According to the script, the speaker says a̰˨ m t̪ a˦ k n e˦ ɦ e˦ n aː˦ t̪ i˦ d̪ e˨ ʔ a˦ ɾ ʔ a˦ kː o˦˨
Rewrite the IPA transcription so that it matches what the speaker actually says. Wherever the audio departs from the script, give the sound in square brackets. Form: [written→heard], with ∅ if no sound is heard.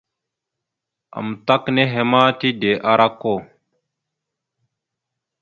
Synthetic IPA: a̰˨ m t̪ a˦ k n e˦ ɦ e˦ [n→m] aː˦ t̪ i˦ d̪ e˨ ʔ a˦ ɾ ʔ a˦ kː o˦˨